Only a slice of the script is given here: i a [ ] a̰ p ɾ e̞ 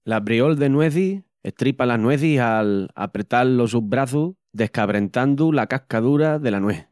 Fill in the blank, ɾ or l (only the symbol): l